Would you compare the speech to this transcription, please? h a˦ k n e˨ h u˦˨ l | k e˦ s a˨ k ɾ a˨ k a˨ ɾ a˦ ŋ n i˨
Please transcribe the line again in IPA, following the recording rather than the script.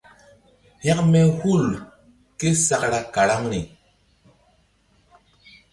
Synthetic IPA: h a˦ k m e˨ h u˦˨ l | k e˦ s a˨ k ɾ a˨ k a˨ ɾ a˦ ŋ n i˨